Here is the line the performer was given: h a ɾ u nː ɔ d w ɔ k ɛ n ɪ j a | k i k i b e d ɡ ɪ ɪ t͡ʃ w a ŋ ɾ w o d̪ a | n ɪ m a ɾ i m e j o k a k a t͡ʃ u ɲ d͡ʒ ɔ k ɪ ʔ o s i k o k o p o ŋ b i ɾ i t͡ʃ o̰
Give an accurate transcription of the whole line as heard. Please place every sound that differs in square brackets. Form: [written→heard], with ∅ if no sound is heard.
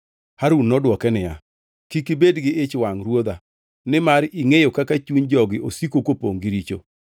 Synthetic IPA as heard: h a ɾ u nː ɔ d w ɔ k ɛ n ɪ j a | k i k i b e d ɡ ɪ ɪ t͡ʃ w a ŋ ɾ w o d̪ a | n ɪ m a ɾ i [m→ŋ] e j o k a k a t͡ʃ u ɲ d͡ʒ ɔ [k→ɡ] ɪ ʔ o s i k o k o p o ŋ [b→ɡ] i ɾ i t͡ʃ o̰